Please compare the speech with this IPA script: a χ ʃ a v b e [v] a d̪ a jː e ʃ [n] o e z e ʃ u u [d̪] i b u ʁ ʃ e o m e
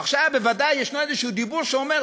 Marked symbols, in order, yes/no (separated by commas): yes, yes, yes